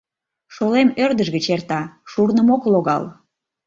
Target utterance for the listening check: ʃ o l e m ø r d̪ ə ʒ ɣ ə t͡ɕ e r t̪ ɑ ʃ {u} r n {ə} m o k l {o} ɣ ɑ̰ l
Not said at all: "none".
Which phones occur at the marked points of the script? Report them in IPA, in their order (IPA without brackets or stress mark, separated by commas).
u, ə, o